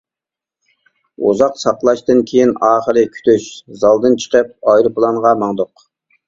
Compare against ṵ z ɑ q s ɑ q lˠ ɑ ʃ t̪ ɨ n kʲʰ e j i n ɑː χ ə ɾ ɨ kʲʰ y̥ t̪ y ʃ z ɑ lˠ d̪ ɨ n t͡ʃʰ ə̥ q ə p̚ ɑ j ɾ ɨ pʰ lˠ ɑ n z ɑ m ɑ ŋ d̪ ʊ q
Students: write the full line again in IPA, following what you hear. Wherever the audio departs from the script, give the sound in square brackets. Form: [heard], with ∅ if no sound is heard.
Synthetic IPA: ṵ z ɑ q s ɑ q lˠ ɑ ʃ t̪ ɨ n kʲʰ e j i n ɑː χ ə ɾ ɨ kʲʰ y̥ t̪ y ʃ z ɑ lˠ d̪ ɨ n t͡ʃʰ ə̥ q ə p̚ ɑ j ɾ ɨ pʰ lˠ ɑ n [ʁ] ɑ m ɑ ŋ d̪ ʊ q